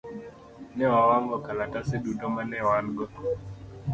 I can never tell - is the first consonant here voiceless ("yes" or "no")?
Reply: no